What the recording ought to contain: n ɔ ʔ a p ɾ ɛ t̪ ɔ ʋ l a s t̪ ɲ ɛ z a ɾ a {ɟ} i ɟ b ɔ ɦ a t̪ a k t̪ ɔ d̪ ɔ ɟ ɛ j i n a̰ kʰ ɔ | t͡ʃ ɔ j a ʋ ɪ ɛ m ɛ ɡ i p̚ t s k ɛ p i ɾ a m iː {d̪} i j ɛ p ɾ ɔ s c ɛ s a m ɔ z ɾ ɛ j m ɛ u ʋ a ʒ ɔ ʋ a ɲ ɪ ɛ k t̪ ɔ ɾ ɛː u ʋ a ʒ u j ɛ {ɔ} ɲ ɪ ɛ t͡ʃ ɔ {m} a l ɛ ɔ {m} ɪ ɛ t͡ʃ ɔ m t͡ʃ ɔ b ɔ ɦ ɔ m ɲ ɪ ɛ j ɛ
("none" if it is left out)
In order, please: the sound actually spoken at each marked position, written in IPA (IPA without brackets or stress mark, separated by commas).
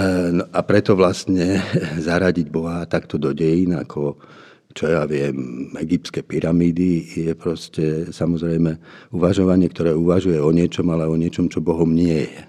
ɟ, d̪, ɔ, m, ɲ